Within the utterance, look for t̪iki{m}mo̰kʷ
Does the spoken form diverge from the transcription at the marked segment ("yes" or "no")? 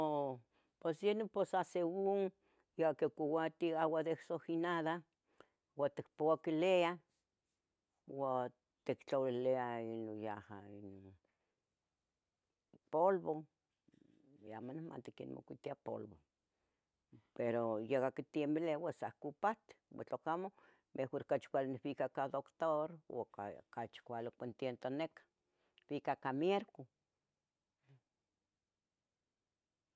yes